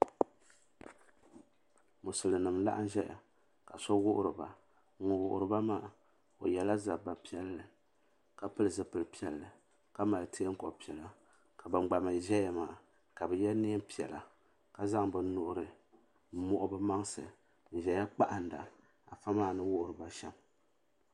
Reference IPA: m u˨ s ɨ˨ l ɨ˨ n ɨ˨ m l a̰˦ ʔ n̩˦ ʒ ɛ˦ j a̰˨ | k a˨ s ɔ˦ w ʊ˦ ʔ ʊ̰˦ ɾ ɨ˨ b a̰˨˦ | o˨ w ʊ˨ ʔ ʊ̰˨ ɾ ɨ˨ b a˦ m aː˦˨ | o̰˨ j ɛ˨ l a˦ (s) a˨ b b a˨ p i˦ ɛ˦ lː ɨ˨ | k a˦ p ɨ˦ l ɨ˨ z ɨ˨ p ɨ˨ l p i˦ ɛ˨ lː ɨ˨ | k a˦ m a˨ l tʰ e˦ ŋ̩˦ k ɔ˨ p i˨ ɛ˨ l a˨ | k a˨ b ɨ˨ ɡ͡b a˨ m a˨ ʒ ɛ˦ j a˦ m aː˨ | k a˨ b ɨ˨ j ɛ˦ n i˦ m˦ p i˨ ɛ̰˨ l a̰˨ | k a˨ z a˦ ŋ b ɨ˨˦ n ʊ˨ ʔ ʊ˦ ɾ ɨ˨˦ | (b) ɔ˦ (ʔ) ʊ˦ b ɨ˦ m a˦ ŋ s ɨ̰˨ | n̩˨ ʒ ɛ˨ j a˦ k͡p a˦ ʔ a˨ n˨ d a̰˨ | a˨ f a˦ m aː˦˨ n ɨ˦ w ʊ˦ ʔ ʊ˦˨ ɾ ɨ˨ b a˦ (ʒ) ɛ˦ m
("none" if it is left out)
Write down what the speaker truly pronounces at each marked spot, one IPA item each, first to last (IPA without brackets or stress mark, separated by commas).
z, m, ʔ, ʃ